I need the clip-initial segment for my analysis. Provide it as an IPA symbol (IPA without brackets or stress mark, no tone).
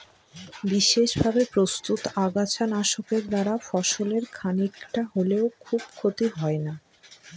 b